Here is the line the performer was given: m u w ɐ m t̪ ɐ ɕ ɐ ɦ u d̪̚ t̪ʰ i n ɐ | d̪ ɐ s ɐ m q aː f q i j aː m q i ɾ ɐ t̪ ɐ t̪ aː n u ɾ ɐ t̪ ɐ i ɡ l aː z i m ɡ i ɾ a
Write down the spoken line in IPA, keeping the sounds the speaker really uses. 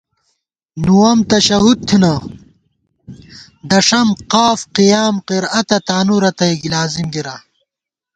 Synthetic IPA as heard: n u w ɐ m t̪ ɐ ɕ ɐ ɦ u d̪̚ t̪ʰ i n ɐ | d̪ ɐ ʂ ɐ m q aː f q i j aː m q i ɾ ɐ t̪ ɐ t̪ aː n u ɾ ɐ t̪ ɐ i ɡ l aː z i m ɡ i ɾ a